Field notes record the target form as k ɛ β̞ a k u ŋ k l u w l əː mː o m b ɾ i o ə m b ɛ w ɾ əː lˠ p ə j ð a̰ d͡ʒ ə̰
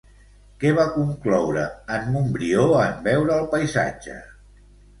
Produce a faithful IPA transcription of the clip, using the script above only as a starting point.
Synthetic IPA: k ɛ β̞ a k u ŋ k l ɔ w ɾ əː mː u m b ɾ i o ə m b ɛ w ɾ əː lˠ p ə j z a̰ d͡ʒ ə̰